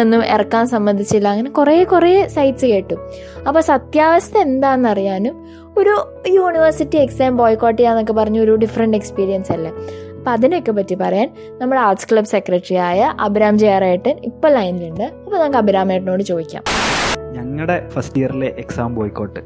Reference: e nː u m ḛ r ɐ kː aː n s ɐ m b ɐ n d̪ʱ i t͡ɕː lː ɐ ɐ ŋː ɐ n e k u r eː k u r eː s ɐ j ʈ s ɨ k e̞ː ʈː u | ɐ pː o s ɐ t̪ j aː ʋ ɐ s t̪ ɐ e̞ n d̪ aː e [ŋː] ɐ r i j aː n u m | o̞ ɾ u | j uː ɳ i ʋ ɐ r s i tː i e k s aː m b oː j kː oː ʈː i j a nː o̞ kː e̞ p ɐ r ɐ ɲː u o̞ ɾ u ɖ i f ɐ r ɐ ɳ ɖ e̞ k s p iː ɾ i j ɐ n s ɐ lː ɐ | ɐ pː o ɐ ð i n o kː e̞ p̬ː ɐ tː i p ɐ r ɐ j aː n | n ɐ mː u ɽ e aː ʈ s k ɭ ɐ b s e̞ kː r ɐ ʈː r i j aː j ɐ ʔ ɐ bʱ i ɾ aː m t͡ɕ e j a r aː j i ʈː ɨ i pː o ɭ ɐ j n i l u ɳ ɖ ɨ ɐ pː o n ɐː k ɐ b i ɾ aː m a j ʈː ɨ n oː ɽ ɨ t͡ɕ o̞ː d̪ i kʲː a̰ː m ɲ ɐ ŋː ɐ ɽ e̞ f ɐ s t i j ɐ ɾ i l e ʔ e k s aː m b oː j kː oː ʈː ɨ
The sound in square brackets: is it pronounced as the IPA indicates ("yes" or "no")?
no